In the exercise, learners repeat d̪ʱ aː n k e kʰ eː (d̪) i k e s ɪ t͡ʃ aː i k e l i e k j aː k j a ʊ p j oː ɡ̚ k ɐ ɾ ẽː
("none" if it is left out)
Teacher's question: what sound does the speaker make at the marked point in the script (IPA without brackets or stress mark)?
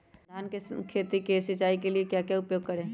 t̪